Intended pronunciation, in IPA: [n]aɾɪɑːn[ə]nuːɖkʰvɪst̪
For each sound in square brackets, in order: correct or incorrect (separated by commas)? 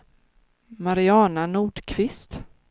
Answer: incorrect, incorrect